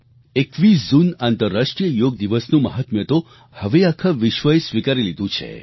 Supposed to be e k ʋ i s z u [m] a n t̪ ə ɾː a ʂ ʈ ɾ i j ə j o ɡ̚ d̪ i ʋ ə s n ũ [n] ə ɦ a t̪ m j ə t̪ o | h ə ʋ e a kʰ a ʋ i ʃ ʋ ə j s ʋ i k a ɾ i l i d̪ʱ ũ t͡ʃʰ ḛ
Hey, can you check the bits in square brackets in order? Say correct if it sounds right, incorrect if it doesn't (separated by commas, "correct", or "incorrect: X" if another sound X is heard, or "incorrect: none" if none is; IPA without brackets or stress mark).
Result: incorrect: n, incorrect: m